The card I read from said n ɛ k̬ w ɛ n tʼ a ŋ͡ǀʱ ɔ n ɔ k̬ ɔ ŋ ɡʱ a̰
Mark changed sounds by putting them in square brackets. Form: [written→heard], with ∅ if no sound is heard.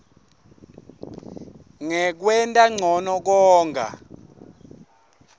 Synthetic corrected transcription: [n→ŋ] ɛ k̬ w ɛ n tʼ a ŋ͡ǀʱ ɔ n ɔ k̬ [ɔ→ɔː] ŋ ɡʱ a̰